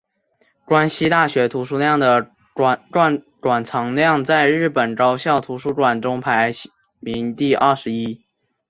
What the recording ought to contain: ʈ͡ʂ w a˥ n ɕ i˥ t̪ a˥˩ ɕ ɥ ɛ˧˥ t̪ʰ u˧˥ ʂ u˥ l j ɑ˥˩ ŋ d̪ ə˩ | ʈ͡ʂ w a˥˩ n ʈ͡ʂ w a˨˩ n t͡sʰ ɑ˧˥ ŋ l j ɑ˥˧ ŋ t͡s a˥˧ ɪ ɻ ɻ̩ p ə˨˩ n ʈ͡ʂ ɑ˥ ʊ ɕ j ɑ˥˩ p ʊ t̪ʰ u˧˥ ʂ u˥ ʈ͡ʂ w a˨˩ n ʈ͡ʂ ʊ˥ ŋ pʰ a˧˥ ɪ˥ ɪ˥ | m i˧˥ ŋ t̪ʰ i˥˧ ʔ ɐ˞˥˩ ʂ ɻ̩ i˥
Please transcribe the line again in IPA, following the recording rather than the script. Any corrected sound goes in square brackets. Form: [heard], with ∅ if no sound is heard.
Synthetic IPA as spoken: ʈ͡ʂ w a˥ n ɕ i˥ t̪ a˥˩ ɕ ɥ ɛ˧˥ t̪ʰ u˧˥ ʂ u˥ l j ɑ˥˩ ŋ d̪ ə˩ | ʈ͡ʂ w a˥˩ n ʈ͡ʂ w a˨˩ n t͡sʰ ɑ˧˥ ŋ l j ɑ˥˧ ŋ t͡s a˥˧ ɪ ɻ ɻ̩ p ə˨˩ n ʈ͡ʂ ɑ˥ ʊ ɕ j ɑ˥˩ [∅] ʊ t̪ʰ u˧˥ ʂ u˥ ʈ͡ʂ w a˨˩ n ʈ͡ʂ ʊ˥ ŋ pʰ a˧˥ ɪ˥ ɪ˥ | m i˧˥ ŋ [t̪] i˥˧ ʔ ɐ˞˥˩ ʂ ɻ̩ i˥